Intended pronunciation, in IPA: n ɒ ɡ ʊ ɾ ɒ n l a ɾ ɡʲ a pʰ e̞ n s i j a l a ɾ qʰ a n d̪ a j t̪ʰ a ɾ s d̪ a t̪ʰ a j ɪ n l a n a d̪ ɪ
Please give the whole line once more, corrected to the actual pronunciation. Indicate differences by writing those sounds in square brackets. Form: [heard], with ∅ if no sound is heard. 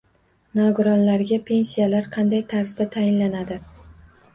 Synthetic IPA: n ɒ ɡ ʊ ɾ ɒ n l a ɾ ɡʲ a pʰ e̞ n s i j a l a ɾ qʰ [ɑ] n d̪ a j t̪ʰ a ɾ s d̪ a t̪ʰ a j ɪ n l a n a d̪ ɪ